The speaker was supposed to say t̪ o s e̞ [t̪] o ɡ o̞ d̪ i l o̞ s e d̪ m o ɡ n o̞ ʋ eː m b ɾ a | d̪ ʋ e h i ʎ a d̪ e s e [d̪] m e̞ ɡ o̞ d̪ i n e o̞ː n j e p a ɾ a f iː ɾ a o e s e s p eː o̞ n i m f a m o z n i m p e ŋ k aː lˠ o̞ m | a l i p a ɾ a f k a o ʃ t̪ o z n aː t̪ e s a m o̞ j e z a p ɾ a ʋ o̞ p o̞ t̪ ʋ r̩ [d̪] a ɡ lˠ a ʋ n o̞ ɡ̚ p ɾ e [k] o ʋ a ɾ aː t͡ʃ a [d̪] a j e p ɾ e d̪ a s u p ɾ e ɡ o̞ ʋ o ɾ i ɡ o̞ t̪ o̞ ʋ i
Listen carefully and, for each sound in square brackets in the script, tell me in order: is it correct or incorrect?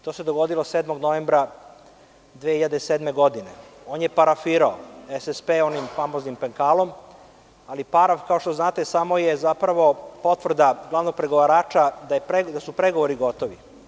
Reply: incorrect: d̪, correct, correct, incorrect: ɡ, correct

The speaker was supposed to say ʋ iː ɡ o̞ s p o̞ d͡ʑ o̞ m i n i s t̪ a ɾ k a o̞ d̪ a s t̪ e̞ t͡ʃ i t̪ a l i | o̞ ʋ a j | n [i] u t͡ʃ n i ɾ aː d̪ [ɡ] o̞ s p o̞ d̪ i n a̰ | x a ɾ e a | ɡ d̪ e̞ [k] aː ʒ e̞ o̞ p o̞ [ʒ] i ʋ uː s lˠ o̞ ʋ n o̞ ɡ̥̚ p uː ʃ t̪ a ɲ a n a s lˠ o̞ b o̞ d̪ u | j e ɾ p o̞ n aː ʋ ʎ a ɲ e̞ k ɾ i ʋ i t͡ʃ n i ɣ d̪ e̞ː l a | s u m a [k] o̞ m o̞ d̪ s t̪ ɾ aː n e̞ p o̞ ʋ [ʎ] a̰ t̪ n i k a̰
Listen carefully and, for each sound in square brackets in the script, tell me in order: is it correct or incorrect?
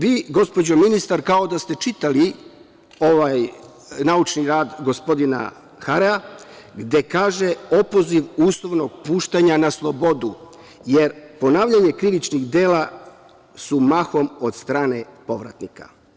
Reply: incorrect: a, correct, correct, incorrect: z, incorrect: x, incorrect: ɾ

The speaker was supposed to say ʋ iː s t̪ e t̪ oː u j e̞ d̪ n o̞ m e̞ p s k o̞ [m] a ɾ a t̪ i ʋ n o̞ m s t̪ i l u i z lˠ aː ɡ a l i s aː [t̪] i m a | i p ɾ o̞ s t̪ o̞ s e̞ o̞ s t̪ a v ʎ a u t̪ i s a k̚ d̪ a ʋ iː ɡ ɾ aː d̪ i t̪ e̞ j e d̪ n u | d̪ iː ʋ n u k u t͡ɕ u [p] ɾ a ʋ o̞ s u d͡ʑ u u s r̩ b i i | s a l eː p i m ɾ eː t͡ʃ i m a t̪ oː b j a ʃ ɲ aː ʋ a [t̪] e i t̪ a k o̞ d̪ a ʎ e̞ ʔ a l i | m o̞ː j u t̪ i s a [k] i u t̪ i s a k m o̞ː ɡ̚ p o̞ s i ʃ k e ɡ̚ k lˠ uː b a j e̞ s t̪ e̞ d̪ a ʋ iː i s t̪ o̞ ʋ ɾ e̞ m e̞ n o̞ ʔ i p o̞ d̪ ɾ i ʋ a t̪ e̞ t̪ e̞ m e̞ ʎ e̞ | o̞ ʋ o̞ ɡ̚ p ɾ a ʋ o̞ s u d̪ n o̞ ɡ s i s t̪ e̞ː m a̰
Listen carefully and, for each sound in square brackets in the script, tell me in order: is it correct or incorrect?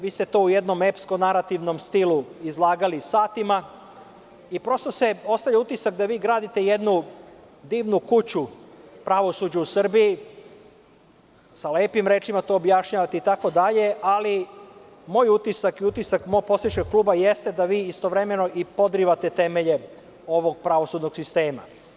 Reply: incorrect: n, correct, correct, correct, correct

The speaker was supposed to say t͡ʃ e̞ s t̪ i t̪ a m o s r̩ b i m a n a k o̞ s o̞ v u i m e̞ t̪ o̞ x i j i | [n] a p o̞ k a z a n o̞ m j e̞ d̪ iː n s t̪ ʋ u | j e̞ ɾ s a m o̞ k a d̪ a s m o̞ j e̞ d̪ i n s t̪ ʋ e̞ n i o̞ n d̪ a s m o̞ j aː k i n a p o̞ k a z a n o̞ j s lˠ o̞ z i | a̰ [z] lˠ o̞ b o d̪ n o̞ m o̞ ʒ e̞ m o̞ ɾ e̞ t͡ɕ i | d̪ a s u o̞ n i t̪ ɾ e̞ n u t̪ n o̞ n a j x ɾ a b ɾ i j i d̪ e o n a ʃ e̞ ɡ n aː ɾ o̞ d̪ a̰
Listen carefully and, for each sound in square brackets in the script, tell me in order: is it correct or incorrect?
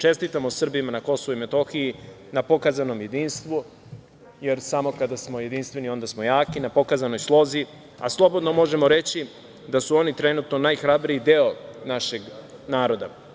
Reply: correct, incorrect: s

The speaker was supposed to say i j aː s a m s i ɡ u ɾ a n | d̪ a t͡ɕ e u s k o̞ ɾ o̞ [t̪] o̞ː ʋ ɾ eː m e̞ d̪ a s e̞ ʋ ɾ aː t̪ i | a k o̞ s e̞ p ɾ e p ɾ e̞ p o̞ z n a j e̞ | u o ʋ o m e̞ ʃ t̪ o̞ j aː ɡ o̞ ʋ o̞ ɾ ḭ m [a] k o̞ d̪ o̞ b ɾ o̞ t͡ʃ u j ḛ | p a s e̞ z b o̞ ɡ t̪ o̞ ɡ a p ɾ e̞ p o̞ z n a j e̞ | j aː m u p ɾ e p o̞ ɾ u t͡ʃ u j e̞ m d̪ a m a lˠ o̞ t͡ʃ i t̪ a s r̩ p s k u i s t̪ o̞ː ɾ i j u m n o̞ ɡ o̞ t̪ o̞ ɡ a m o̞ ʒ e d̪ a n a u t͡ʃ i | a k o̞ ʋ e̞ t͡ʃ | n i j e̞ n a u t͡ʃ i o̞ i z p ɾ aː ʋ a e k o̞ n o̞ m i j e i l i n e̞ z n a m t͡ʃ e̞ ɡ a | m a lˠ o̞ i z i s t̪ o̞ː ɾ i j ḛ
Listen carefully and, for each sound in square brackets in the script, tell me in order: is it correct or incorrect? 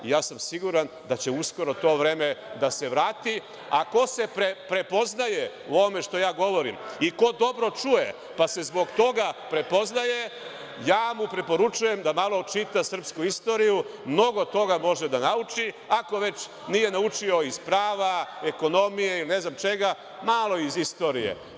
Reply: correct, incorrect: i

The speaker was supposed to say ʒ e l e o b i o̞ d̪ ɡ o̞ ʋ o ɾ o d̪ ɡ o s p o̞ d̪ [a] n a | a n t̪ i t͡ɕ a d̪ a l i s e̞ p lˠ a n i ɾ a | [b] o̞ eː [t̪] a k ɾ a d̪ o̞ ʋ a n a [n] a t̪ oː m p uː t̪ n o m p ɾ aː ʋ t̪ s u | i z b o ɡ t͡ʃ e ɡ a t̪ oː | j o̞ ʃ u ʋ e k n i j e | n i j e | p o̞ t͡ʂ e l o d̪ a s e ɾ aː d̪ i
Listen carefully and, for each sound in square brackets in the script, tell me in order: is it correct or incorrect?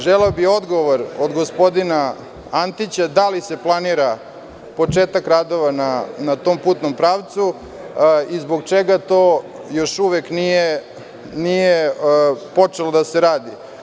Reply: incorrect: i, incorrect: p, correct, correct

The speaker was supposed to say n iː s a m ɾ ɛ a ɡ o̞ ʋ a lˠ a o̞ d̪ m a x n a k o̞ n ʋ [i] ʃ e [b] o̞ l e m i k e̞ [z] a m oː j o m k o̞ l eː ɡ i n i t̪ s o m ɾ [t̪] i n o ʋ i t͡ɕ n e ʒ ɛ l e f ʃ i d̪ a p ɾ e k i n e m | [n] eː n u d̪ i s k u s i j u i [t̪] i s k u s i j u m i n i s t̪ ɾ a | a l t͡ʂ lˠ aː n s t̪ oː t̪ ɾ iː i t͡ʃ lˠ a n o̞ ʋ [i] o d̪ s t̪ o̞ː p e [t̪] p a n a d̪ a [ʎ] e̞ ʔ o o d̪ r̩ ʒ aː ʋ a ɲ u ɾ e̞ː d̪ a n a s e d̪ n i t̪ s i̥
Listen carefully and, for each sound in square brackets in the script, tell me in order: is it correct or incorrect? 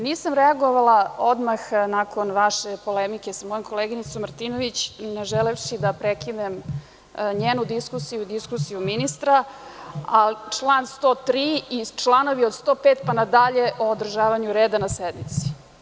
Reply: incorrect: a, incorrect: p, incorrect: s, correct, incorrect: ɲ, incorrect: d̪, correct, correct, correct

